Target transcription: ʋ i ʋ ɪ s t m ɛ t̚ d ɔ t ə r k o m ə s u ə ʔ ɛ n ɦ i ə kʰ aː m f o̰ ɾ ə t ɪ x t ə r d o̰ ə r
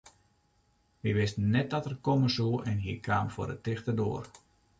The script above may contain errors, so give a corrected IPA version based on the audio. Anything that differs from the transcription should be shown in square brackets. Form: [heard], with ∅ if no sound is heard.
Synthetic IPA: ʋ i ʋ ɪ s t [n] ɛ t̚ d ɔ t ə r k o m ə s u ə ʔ ɛ n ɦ i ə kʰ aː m f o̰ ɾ ə t ɪ x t ə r d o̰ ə r